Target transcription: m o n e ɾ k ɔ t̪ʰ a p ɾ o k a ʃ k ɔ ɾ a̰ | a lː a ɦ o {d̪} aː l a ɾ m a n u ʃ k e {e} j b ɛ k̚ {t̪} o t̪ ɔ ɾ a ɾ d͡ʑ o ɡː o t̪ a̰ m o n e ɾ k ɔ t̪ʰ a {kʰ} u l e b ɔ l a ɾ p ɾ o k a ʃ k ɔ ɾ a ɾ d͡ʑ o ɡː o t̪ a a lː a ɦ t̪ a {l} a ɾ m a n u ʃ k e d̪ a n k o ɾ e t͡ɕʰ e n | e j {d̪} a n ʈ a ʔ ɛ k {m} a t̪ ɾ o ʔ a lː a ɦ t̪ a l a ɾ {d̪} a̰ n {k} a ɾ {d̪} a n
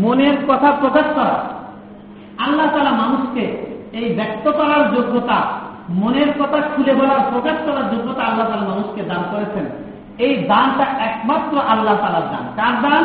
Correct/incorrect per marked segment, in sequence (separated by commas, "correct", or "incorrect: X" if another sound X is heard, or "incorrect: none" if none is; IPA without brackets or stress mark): incorrect: t̪, correct, correct, correct, correct, correct, correct, correct, correct, correct